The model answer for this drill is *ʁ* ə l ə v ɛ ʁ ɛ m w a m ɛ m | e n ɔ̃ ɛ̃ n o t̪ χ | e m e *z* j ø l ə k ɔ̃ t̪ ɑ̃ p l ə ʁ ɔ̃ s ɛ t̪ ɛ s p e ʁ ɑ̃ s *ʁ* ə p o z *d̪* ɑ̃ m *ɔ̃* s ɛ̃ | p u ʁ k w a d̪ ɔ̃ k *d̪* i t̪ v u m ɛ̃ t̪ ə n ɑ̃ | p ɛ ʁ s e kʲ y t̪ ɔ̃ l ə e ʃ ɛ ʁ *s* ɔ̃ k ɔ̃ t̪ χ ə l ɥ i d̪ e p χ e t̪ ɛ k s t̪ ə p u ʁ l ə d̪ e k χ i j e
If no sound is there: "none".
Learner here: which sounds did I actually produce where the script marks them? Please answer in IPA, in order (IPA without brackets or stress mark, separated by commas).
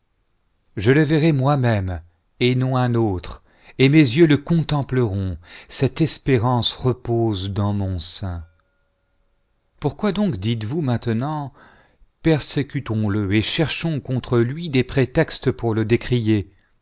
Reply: ʒ, z, ʁ, d̪, ɔ̃, d̪, ʃ